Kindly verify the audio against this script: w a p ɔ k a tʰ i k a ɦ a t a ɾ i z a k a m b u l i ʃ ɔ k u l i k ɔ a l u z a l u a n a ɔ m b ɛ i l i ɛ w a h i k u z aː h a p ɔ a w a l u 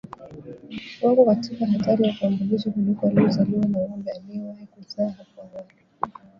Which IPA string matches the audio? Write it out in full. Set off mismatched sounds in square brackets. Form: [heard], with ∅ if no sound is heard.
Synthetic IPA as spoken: w a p ɔ k a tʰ i k a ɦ a t a ɾ i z a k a m b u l i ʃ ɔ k u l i k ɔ a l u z a l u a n a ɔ m b ɛ [a] l i ɛ w a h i k u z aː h a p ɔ a w a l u